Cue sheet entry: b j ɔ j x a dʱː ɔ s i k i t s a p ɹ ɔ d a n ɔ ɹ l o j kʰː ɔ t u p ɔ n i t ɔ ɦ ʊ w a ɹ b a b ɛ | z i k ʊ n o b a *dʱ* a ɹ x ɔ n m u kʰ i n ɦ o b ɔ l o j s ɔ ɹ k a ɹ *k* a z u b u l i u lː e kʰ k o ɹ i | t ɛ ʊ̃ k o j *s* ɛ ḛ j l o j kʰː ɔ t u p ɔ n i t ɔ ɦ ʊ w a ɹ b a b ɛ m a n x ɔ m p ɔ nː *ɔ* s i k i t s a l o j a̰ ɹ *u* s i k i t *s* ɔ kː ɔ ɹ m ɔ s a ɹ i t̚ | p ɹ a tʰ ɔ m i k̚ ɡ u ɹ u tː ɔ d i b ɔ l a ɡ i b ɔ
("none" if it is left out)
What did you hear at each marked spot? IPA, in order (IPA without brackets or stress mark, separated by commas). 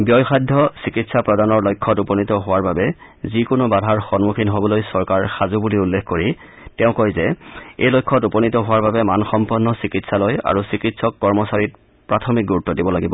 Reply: dʱ, x, z, ɔ, u, s